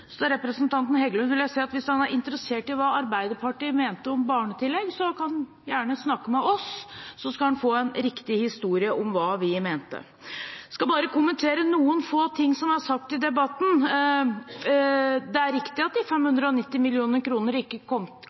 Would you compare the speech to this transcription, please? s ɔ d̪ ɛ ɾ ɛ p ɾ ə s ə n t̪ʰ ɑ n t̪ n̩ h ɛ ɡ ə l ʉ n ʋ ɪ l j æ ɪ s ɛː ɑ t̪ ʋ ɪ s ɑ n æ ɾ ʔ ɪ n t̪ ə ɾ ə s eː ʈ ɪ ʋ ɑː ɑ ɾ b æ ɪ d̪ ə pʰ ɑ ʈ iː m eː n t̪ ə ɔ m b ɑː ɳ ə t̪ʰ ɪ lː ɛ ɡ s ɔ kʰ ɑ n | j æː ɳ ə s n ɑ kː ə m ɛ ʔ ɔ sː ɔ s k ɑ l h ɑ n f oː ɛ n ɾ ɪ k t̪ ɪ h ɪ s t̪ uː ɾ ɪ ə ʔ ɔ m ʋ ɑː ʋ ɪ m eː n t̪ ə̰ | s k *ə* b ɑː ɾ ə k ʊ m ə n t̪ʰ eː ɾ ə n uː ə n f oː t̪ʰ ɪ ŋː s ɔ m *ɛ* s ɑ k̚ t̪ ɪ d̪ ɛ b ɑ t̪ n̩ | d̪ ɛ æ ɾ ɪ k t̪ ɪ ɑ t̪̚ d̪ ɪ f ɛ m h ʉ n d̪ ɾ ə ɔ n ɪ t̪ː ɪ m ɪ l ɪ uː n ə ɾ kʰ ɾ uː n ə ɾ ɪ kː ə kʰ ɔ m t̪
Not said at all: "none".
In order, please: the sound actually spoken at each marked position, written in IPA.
ɑ, æ

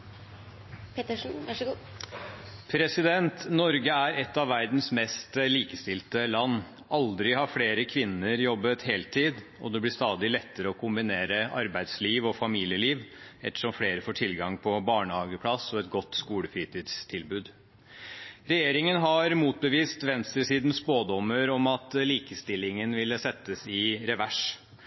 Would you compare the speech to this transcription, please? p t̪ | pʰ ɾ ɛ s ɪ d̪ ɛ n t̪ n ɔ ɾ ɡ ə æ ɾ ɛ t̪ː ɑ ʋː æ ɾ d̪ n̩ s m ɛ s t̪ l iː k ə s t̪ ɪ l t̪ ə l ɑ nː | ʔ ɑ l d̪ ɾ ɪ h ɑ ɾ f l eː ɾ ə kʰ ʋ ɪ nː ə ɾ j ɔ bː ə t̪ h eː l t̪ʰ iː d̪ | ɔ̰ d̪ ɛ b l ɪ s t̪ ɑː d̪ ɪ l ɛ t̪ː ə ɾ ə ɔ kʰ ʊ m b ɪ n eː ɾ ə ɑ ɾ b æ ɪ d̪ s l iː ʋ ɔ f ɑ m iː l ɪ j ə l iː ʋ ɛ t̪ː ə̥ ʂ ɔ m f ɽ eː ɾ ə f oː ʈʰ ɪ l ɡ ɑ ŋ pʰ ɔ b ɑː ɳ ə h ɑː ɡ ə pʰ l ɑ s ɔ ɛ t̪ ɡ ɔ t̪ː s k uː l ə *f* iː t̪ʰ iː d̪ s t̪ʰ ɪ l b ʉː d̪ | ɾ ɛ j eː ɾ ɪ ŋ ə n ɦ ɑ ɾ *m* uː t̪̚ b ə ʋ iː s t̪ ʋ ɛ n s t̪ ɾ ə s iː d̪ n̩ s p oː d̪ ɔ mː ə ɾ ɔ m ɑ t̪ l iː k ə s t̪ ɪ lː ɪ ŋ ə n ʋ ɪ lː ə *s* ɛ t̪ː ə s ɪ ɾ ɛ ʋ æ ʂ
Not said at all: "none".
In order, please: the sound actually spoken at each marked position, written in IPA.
f, m, s

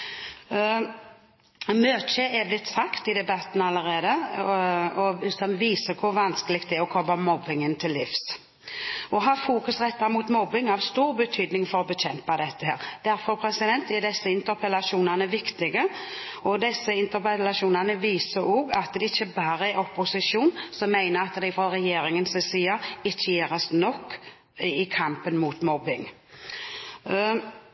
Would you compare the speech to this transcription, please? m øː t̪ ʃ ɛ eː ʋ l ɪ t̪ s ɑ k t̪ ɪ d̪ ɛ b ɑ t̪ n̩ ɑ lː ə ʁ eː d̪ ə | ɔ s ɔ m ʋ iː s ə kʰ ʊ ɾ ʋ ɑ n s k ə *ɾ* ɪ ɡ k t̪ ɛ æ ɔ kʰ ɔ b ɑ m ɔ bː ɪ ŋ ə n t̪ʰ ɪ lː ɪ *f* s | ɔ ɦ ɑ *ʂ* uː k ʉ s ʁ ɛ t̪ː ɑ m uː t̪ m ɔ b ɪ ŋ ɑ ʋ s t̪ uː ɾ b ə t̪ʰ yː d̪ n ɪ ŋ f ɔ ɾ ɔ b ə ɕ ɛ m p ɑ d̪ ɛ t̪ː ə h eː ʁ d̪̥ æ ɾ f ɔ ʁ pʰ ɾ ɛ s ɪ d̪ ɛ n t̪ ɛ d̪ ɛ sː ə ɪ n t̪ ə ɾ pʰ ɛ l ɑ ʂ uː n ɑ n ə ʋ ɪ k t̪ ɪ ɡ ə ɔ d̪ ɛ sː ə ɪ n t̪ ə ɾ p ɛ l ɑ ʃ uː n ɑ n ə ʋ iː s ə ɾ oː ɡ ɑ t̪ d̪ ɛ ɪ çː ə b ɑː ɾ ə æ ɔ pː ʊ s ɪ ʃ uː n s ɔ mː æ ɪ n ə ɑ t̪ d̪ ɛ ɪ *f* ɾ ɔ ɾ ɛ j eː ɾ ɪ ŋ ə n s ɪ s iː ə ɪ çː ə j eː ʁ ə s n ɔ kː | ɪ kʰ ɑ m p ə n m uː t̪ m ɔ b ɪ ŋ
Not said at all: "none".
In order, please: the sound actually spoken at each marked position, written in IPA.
l, f, f, f

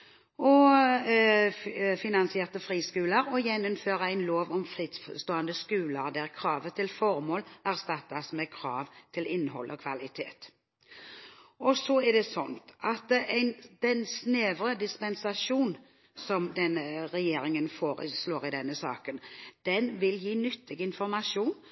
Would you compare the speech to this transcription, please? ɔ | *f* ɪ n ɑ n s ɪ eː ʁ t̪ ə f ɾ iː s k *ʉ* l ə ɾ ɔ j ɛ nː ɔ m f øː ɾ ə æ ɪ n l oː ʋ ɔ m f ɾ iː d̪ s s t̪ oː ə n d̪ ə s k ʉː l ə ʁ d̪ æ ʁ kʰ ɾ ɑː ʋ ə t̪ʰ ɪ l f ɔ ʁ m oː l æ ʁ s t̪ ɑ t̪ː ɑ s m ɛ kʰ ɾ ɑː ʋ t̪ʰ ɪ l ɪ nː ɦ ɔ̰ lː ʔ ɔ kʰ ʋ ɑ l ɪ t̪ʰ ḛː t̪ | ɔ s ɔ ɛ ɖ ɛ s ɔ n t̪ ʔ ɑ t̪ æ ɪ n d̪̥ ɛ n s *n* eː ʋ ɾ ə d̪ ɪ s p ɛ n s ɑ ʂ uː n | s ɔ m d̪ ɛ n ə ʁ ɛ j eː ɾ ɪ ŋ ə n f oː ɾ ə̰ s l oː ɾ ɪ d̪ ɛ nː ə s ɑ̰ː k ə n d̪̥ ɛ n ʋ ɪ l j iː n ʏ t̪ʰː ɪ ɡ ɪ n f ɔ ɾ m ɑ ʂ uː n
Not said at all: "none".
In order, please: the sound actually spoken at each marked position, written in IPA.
f, ʉː, n

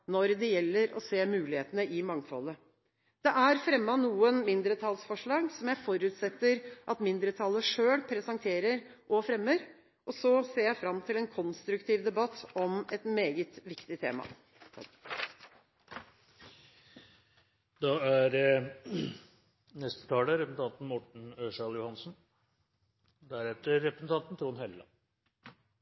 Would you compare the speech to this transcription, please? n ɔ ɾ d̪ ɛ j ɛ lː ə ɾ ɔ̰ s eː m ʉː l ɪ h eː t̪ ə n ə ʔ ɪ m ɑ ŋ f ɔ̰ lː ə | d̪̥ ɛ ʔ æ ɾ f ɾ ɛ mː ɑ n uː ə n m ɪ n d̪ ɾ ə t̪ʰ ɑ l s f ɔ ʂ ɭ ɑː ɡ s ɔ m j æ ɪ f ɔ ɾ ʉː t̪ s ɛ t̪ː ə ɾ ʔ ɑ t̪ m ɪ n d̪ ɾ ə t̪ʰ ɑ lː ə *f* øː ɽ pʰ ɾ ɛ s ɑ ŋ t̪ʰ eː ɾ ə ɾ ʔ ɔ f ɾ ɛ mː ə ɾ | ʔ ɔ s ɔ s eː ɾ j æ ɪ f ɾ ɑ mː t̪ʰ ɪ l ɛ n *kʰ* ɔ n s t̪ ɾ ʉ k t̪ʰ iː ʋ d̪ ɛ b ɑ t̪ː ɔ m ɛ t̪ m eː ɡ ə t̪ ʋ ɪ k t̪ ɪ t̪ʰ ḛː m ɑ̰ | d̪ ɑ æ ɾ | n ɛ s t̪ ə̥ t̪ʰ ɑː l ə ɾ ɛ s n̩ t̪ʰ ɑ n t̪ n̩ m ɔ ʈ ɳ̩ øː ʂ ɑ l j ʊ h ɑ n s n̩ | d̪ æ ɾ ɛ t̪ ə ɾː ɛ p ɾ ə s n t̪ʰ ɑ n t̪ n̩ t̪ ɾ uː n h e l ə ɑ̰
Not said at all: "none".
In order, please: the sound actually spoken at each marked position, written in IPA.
ʂ, kʰ

